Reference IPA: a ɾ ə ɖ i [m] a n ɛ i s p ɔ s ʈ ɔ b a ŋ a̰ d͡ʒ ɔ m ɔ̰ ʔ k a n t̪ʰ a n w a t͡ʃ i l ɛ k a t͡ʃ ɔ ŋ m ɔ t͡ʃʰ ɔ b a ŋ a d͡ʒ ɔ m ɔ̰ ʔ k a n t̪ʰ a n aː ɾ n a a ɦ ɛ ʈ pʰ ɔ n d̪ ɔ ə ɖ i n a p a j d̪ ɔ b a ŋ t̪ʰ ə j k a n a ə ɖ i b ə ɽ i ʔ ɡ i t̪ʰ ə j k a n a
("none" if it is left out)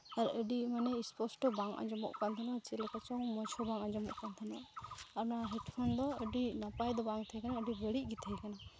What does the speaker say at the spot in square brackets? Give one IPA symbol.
m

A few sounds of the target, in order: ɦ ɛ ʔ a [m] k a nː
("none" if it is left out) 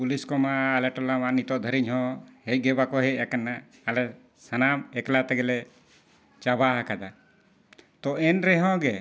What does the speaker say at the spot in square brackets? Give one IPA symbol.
none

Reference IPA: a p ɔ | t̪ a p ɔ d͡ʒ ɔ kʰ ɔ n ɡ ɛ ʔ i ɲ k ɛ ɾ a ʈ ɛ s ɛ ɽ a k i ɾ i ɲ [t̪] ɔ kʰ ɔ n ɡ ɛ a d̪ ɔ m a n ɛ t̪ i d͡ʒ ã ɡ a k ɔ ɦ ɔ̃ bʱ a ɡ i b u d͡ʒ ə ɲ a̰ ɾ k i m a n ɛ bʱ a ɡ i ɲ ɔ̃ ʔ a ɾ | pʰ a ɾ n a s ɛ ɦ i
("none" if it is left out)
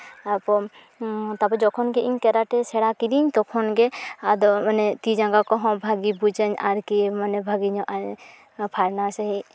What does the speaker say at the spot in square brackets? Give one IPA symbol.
t̪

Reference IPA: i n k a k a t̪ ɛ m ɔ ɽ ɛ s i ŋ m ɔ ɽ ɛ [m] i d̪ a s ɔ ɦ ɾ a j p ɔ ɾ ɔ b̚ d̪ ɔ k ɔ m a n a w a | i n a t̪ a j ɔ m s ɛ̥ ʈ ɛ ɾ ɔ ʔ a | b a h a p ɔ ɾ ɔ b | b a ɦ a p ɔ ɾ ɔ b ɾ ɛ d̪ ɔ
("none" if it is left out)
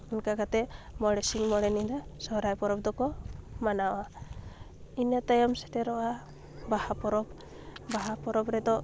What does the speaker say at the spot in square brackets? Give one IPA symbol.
n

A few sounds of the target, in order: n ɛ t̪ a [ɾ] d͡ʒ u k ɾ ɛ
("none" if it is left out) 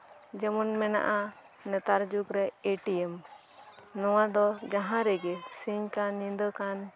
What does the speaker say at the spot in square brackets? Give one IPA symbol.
ɾ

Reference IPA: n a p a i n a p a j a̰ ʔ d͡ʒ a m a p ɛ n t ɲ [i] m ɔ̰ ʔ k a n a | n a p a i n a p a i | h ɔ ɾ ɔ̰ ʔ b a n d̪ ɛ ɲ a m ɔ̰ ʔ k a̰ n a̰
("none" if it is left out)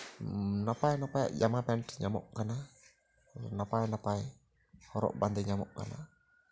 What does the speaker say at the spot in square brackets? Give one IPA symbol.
a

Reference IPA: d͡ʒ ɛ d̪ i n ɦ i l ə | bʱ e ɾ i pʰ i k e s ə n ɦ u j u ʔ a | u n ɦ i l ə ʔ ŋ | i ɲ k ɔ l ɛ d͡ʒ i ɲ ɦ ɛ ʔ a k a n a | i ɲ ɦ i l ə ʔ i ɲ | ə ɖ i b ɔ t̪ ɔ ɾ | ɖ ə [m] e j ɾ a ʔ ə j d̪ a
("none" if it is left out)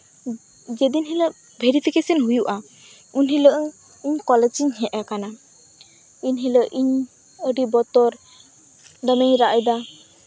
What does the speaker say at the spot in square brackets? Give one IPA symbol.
m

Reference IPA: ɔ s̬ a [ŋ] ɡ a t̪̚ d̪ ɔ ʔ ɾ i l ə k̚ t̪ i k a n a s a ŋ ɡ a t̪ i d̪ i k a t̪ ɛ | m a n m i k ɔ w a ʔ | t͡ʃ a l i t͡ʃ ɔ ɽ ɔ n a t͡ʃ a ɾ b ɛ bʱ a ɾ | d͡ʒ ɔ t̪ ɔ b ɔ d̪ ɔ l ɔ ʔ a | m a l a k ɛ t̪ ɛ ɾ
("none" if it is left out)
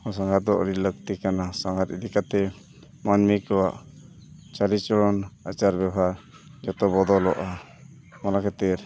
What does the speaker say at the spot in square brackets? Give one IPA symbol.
ŋ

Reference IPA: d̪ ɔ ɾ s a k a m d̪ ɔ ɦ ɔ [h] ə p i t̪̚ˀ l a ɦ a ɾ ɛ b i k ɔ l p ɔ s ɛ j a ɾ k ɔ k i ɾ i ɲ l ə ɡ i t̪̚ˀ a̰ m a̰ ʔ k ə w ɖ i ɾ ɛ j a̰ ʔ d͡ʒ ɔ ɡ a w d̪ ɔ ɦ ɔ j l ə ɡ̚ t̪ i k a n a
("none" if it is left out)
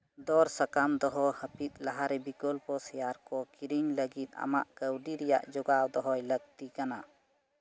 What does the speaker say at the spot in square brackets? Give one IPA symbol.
h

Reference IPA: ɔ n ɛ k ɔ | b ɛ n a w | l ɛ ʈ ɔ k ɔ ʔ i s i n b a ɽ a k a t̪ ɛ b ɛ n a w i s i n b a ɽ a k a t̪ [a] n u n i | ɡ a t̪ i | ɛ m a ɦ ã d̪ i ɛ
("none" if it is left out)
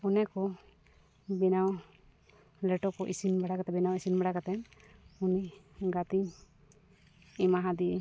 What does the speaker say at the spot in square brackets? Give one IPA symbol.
ɛ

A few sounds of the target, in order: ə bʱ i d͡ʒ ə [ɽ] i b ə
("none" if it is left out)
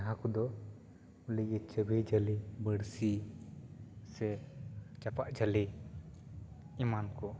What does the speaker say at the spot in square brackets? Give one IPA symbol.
l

